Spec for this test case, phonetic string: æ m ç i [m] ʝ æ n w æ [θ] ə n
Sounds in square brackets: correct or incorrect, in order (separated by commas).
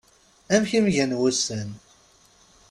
correct, incorrect